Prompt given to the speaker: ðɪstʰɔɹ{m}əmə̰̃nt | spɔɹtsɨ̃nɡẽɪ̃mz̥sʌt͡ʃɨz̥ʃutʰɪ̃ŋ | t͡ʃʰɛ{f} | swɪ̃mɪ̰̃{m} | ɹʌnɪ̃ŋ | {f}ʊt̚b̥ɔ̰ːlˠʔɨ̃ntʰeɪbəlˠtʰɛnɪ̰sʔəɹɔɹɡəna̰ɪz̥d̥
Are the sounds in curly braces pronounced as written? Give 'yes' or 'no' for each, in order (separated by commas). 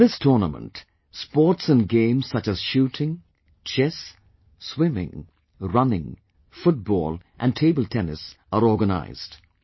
no, no, no, yes